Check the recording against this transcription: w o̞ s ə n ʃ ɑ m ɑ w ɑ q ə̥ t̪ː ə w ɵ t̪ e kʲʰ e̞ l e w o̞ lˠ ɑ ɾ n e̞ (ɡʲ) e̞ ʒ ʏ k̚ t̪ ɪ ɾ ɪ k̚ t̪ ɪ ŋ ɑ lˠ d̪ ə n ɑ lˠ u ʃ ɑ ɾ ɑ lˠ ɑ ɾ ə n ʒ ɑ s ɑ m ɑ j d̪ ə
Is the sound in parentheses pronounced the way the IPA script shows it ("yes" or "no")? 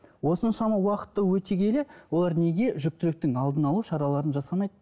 yes